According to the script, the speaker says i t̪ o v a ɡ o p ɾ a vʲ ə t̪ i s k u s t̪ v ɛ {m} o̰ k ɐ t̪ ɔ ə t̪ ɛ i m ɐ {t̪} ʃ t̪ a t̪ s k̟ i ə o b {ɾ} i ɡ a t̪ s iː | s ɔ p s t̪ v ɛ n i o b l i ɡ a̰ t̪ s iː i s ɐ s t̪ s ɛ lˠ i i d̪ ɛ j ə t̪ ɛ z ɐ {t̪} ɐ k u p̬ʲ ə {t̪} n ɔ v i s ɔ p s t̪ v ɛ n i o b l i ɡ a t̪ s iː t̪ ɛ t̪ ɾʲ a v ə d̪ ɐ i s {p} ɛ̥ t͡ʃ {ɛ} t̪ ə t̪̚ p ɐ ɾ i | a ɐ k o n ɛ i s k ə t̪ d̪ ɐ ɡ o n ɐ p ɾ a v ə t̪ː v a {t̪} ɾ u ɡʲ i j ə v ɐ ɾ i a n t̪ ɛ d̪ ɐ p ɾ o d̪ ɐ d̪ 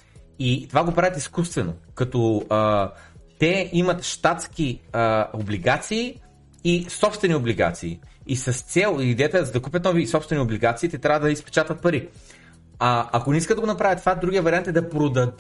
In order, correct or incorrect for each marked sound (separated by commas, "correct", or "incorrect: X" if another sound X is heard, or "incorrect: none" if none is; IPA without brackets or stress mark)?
incorrect: n, correct, incorrect: l, incorrect: d̪, correct, correct, incorrect: a, incorrect: d̪